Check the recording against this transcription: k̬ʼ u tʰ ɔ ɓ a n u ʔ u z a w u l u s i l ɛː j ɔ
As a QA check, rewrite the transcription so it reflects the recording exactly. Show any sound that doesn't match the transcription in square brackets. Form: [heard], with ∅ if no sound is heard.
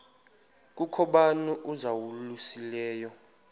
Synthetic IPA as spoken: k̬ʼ u [kʰ] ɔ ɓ a n u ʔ u z a w u l u s i l ɛː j ɔ